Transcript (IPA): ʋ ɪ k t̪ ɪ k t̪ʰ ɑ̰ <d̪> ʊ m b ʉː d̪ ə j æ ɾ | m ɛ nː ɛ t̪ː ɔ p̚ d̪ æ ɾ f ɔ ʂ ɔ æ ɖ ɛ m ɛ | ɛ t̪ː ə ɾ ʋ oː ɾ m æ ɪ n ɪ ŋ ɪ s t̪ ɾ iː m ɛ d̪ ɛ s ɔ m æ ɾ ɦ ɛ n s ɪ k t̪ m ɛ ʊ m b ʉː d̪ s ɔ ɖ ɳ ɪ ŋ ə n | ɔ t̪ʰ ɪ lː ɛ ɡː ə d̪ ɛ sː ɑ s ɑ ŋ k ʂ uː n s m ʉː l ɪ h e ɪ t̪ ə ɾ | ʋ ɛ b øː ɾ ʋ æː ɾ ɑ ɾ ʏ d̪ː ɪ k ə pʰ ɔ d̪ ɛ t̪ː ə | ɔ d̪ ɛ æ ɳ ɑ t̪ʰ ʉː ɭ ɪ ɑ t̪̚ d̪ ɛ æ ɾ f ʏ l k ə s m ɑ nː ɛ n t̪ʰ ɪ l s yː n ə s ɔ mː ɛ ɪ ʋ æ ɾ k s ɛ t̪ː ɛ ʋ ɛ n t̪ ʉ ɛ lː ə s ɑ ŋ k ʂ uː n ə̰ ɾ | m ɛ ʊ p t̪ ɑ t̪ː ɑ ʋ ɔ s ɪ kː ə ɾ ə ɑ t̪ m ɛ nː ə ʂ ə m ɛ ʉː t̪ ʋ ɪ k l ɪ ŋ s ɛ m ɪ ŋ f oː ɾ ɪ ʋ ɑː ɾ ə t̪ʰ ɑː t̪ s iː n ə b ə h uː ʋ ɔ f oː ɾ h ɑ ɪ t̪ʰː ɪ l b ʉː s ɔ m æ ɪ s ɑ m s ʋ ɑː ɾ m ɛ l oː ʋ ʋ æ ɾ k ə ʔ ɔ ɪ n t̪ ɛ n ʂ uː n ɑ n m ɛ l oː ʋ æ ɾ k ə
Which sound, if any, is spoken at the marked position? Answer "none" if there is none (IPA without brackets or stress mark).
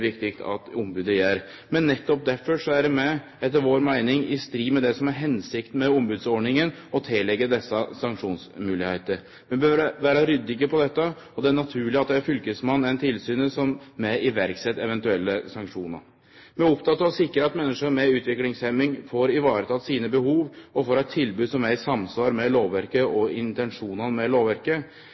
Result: t̪